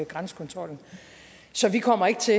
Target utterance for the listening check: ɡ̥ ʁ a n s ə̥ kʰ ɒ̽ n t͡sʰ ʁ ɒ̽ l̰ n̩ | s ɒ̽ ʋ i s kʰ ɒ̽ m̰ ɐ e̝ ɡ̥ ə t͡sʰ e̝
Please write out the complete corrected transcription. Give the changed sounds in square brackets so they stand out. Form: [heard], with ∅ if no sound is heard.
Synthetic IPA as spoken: ɡ̥ ʁ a n s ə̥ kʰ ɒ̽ n t͡sʰ ʁ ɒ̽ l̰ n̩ | s ɒ̽ ʋ i [∅] kʰ ɒ̽ m̰ ɐ e̝ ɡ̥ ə t͡sʰ e̝